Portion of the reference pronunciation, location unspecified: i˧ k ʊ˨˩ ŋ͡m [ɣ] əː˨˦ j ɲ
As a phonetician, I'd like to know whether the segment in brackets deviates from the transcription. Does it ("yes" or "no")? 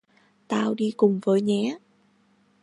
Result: yes